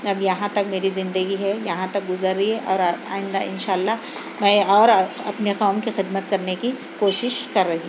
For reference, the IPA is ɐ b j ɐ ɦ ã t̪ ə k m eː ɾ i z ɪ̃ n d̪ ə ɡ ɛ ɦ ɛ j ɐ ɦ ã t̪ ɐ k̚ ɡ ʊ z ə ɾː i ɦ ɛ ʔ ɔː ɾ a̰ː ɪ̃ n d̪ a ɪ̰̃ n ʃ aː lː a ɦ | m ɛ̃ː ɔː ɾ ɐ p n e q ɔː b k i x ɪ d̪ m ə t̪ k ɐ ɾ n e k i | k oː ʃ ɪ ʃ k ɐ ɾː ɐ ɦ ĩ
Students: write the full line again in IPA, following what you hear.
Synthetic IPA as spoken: ɐ b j ɐ ɦ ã t̪ ɐ k m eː ɾ i z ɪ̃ n d̪ ə ɡ i ɦ ɛ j ɐ ɦ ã t̪ ɐ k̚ ɡ ʊ z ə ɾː i ɦ ɛ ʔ ɔː ɾ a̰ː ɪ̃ n d̪ a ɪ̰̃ n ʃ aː lː a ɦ | m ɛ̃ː ɔː ɾ ɐ p n e q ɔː m k i x ɪ d̪ m ə t̪ k ɐ ɾ n e k i | k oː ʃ ɪ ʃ k ɐ ɾː ɐ ɦ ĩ